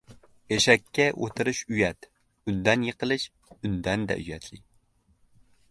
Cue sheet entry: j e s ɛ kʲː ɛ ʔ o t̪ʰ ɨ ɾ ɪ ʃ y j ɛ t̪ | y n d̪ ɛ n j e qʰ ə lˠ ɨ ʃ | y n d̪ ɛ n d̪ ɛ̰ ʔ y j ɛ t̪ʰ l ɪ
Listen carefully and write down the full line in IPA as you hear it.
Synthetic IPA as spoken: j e ʃ ɛ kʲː ɛ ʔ o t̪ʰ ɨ ɾ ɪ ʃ y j ɛ t̪ | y n d̪ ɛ n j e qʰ ə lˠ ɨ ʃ | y n d̪ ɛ n d̪ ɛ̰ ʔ y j ɛ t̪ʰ l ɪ